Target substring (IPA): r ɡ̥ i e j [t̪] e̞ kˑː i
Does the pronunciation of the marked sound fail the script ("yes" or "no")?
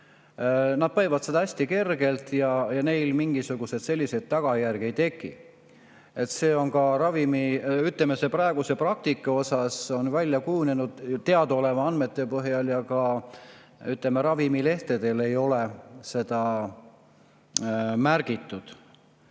no